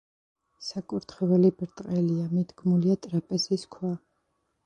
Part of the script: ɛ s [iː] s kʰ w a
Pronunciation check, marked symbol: incorrect: i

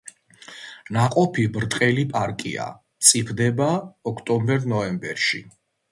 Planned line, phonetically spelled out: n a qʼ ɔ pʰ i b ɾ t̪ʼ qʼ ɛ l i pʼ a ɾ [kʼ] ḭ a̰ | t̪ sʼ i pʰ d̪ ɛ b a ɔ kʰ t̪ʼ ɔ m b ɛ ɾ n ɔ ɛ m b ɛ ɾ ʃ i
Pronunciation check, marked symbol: correct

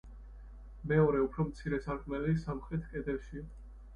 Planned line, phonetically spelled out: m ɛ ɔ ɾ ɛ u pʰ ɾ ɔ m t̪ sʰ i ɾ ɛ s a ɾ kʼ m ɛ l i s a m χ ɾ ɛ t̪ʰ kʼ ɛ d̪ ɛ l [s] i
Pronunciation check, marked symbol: incorrect: ʃ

